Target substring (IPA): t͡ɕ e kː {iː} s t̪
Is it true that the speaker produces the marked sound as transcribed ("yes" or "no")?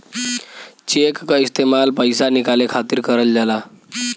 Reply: no